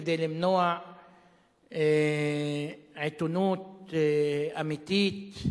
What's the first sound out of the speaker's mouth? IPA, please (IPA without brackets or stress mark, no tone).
d̪